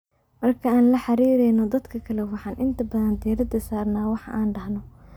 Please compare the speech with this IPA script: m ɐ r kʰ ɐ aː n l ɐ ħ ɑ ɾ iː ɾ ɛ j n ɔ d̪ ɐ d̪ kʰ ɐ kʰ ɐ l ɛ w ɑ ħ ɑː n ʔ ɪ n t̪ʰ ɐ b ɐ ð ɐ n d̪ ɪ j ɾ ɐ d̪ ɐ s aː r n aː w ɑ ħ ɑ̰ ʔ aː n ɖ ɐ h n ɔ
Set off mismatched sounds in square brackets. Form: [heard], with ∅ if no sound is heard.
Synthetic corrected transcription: m ɐ r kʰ ɐ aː n l ɐ ħ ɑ ɾ iː ɾ ɛ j n ɔ d̪ ɐ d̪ kʰ ɐ kʰ ɐ l ɛ w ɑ ħ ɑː n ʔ ɪ n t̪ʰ ɐ b ɐ ð ɐ n d̪ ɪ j ɾ ɐ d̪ ɐ s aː r n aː w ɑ ħ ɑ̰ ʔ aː n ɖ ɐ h n ɔ